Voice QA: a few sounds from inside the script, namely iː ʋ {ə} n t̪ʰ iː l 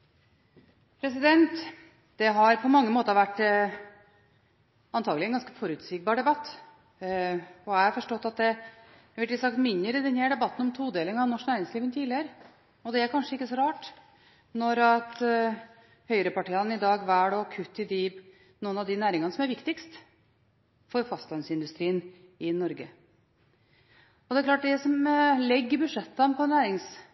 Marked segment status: correct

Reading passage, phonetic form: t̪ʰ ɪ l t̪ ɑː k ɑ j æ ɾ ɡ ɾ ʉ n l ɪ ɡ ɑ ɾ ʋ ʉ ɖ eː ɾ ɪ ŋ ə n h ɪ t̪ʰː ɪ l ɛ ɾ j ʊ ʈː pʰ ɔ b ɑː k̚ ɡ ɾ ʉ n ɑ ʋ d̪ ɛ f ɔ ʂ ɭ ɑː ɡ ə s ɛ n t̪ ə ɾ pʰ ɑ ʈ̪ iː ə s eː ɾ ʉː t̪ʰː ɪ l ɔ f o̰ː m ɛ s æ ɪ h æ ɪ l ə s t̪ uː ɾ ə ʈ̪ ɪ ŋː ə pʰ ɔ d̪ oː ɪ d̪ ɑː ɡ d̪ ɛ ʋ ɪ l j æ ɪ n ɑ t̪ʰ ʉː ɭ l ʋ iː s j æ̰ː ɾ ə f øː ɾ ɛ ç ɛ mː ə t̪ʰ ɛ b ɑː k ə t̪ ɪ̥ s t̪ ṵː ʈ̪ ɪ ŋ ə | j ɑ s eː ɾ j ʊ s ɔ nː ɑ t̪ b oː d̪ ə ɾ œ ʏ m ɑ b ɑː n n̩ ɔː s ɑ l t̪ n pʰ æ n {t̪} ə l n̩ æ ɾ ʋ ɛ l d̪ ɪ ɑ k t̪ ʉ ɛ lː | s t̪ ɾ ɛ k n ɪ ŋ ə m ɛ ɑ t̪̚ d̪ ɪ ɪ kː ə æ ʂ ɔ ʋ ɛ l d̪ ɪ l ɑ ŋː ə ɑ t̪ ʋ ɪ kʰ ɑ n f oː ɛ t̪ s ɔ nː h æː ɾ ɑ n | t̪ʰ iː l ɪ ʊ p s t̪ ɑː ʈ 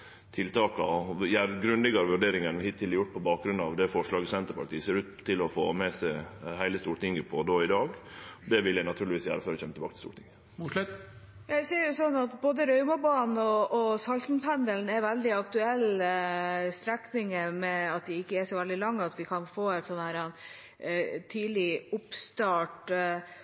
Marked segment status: incorrect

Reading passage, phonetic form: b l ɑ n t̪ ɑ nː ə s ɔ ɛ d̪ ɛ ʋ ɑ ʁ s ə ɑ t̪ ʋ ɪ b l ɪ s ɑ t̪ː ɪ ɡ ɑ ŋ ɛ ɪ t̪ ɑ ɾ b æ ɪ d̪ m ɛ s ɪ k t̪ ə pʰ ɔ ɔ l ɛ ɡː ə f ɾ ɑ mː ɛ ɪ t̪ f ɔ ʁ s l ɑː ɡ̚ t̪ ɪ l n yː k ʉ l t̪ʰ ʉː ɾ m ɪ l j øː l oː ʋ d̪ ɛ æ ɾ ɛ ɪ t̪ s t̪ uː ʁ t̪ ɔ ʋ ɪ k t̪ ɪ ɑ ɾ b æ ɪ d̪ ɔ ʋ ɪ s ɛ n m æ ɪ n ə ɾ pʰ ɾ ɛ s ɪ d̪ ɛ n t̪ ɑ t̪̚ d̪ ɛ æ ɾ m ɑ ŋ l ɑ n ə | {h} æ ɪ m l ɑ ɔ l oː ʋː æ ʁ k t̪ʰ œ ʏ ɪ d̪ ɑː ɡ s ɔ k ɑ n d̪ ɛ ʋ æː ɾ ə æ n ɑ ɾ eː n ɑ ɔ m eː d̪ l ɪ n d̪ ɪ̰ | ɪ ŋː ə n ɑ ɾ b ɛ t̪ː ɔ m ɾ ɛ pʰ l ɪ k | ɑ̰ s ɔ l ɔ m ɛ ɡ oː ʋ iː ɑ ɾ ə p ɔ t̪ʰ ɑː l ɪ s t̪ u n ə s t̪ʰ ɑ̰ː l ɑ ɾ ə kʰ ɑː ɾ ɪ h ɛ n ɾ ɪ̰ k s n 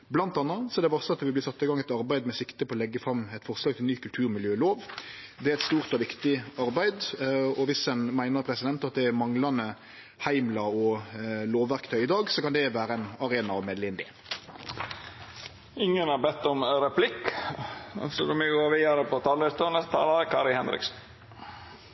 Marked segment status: correct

